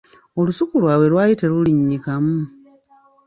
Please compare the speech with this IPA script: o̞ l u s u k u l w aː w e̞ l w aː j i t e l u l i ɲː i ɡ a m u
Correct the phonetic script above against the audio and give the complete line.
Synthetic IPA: o̞ l u s u k u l w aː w e̞ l w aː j i t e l u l i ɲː i k a m u